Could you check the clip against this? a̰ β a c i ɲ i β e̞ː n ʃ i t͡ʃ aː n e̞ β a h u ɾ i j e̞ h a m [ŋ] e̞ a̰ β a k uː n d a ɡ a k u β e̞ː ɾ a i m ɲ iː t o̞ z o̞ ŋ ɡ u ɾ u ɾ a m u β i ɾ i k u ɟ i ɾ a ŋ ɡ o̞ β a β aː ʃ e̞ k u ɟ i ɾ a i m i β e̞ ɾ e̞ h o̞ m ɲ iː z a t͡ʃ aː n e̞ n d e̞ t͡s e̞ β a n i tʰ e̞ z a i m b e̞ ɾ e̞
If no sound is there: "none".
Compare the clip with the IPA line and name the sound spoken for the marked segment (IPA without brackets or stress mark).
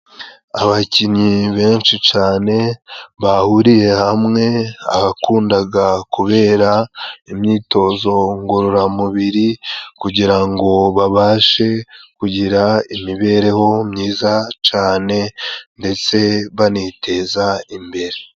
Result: ŋ